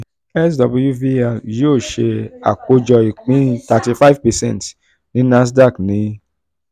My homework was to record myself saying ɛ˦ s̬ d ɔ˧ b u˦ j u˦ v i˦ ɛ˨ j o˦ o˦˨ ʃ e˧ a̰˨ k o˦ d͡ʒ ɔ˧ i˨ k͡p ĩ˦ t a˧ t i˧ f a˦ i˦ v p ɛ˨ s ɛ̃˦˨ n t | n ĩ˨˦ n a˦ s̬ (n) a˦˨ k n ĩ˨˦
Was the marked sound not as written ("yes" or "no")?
yes